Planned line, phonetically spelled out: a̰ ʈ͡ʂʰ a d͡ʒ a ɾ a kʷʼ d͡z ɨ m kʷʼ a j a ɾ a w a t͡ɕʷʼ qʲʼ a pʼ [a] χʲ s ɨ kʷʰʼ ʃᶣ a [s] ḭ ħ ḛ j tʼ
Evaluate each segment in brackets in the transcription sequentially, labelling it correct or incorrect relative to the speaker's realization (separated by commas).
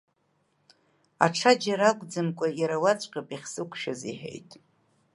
incorrect, incorrect